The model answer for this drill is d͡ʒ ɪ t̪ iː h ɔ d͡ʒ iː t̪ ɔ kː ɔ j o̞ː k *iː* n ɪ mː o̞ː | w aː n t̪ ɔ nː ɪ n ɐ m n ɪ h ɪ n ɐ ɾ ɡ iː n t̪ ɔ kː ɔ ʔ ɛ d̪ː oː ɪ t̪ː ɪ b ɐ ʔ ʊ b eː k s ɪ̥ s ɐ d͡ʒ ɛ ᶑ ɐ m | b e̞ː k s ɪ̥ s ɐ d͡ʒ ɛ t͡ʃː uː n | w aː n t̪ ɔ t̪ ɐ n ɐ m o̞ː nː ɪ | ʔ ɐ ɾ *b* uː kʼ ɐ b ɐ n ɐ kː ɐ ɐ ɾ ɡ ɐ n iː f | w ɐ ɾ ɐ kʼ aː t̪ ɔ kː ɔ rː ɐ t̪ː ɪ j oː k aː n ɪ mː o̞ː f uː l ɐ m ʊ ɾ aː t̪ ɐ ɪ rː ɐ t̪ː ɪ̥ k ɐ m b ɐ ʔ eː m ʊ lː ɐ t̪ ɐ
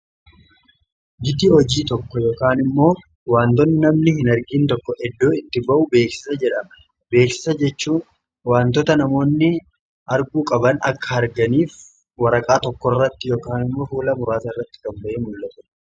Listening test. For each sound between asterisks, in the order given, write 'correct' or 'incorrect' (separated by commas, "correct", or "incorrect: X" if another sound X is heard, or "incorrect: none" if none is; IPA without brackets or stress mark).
incorrect: aː, incorrect: ɡ